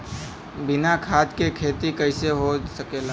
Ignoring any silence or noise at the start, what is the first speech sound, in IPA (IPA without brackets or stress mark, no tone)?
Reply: b